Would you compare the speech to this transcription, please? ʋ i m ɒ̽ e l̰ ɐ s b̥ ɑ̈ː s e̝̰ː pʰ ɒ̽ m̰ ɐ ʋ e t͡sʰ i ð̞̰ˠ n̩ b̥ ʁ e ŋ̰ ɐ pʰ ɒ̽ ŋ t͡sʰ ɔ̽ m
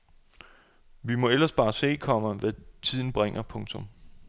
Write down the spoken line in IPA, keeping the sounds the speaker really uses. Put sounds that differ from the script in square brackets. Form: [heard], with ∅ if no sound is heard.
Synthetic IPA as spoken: ʋ i m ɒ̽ e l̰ ɐ s b̥ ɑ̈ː s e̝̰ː [kʰ] ɒ̽ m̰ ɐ ʋ [æ] t͡sʰ i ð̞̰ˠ n̩ b̥ ʁ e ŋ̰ ɐ pʰ [ɔ̽] ŋ t͡sʰ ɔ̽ m